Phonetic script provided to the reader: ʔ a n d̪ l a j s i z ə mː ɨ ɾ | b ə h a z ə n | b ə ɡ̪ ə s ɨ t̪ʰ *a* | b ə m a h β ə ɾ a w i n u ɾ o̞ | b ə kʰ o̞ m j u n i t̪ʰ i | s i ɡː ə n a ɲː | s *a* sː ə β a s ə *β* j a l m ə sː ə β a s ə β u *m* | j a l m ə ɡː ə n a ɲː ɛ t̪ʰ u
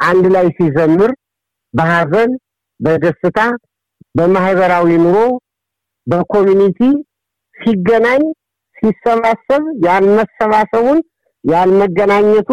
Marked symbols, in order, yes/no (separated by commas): yes, no, yes, no